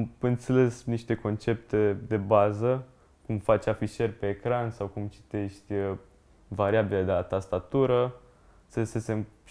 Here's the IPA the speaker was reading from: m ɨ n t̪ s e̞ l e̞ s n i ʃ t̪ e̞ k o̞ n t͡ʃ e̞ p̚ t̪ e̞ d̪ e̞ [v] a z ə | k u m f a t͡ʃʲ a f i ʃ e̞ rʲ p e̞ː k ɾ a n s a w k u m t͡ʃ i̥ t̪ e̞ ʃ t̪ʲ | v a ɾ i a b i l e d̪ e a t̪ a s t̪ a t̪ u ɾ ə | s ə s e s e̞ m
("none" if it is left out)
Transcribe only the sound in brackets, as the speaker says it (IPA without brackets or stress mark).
b